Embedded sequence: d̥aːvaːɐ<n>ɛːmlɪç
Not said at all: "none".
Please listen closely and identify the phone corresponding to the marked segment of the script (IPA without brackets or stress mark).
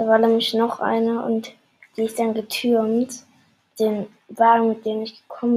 n